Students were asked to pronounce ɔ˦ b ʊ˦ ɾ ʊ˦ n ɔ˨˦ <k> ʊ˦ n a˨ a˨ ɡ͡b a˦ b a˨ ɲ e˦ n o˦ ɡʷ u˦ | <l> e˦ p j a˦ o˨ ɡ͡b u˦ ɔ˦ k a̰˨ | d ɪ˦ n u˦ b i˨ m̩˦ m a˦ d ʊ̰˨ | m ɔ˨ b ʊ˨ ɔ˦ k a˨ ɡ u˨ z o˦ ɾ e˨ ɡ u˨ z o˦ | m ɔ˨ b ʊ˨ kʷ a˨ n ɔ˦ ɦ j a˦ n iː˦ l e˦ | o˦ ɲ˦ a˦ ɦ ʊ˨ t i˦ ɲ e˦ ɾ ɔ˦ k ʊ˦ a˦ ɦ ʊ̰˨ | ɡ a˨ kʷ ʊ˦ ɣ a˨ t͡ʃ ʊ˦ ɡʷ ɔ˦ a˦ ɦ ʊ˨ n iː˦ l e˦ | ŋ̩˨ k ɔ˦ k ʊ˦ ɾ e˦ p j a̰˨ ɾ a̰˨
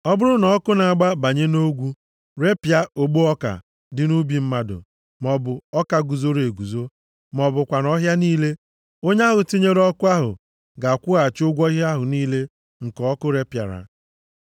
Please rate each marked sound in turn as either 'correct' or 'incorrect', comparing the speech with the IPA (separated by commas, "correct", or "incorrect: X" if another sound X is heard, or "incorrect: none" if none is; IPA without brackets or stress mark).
correct, incorrect: ɾ